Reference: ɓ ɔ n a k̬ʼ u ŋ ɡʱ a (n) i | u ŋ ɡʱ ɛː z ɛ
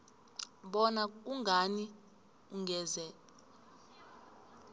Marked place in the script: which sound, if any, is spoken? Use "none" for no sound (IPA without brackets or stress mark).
n